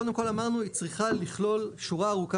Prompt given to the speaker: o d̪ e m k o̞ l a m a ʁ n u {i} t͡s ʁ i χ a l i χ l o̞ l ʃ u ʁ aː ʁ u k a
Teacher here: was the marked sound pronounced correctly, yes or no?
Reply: yes